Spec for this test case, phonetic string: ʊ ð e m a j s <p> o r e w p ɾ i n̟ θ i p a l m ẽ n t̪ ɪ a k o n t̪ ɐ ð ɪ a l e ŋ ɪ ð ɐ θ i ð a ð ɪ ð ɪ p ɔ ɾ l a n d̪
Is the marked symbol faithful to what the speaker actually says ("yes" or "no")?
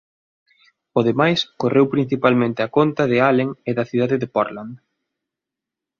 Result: no